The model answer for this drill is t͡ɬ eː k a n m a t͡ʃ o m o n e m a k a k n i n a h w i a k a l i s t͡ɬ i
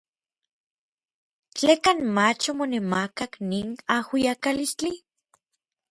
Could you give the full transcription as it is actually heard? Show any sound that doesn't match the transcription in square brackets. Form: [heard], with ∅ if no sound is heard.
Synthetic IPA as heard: t͡ɬ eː k a n m a t͡ʃ o m o n e m a k a k n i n a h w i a k a l i s t͡ɬ i